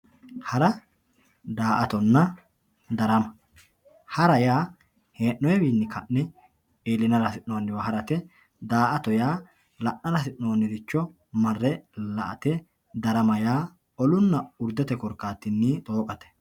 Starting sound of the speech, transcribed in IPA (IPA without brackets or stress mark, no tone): h